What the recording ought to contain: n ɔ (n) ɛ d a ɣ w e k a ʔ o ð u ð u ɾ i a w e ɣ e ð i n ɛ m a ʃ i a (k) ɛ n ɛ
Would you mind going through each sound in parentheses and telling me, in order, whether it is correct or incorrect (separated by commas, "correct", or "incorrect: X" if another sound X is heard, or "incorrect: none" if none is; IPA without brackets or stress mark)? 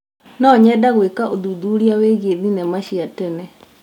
incorrect: ɲ, incorrect: t